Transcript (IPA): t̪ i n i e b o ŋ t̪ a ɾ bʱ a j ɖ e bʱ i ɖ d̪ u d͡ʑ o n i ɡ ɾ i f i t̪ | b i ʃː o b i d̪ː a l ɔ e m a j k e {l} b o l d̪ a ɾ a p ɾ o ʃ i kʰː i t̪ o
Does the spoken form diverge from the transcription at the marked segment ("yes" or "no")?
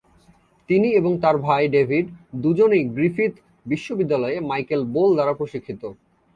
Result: no